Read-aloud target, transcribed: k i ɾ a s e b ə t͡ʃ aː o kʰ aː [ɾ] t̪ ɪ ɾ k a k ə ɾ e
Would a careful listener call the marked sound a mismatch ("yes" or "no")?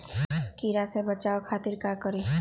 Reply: yes